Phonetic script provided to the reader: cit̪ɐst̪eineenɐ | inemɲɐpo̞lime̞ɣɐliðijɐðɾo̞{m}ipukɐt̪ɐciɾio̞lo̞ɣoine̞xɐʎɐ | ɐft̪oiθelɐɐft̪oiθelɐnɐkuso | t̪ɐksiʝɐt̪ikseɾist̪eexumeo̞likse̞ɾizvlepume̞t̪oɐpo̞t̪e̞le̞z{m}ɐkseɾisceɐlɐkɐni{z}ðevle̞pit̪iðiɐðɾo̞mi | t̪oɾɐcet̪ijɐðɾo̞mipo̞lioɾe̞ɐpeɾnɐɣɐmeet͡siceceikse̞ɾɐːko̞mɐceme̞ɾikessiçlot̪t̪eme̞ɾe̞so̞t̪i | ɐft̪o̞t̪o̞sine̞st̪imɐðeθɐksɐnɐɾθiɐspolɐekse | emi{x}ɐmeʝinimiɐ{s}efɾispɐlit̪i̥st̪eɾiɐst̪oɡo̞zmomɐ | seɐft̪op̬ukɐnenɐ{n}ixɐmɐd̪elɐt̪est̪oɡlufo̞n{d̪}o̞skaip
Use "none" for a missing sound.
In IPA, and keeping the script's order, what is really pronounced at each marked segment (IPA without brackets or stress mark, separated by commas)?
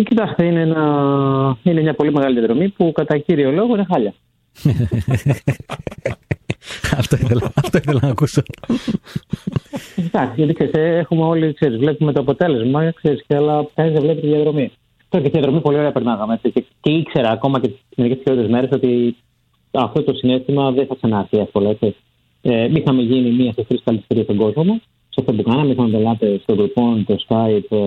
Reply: m, m, z, x, s, m, t̪